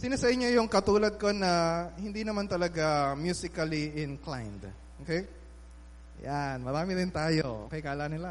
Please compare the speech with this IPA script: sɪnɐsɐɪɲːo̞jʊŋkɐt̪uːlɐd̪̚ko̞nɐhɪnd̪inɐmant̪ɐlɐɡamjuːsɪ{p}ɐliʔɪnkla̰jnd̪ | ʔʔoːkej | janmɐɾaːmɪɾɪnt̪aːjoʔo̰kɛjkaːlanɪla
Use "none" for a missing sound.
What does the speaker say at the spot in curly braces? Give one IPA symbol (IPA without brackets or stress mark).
k